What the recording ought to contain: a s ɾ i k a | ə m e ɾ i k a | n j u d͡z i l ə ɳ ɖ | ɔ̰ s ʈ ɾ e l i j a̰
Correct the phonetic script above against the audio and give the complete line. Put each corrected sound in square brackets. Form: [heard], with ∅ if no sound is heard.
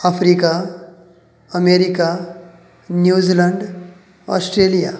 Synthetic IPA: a [f] ɾ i k a | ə m e ɾ i k a | n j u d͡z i l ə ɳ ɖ | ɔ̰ s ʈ ɾ e l i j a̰